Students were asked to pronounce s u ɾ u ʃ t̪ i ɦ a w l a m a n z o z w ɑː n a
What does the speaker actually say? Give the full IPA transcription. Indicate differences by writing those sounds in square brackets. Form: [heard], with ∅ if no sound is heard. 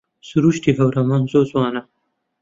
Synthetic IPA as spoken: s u ɾ u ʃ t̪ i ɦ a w [ɾ] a m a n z o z w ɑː n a